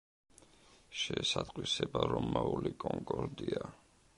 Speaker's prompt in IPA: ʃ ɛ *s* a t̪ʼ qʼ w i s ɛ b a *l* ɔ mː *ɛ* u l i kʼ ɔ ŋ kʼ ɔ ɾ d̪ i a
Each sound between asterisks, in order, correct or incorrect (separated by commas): correct, incorrect, incorrect